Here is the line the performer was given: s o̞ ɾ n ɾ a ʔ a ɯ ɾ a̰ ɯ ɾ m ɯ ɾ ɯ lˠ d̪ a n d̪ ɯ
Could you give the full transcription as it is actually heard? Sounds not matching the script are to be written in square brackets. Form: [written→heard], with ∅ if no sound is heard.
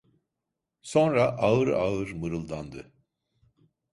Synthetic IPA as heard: s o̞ [ɾ→∅] n ɾ a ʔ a ɯ ɾ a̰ ɯ ɾ m ɯ ɾ ɯ lˠ d̪ a n d̪ ɯ